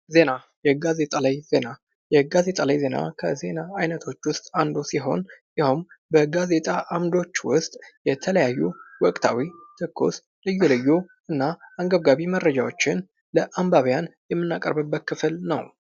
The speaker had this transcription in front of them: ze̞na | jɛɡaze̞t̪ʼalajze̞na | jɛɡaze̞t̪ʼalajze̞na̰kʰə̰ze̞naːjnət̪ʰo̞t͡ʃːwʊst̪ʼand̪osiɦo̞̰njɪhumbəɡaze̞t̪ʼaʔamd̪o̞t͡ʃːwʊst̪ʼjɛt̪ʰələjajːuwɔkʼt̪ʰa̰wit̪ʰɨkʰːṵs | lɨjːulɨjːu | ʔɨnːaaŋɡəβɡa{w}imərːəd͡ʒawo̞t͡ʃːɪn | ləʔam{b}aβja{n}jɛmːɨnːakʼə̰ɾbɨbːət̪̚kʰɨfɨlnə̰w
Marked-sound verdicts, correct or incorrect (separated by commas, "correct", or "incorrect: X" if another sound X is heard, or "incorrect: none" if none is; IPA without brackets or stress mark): incorrect: β, correct, correct